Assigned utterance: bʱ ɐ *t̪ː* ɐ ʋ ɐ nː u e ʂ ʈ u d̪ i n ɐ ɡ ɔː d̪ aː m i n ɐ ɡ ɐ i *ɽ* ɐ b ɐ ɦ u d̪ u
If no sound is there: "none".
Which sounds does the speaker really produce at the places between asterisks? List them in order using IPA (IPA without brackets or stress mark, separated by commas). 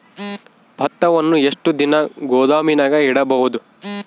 t̪ː, ɽ